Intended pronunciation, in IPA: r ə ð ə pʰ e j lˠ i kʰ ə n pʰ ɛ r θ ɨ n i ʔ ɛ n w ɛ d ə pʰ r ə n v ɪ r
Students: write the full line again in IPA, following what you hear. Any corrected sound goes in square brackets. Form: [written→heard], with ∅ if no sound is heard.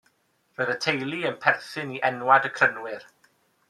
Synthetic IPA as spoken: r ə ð ə [pʰ→tʰ] e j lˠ i [kʰ→∅] ə n pʰ ɛ r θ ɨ n i ʔ ɛ n w [ɛ→a] d ə [pʰ→kʰ] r ə n [v→w] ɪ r